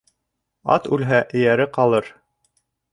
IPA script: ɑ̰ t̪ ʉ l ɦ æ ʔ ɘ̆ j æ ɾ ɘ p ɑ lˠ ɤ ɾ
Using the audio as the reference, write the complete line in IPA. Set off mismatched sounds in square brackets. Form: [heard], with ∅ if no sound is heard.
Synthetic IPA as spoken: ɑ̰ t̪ ʉ l ɦ æ ʔ ɘ̆ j æ ɾ ɘ [q] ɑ lˠ ɤ ɾ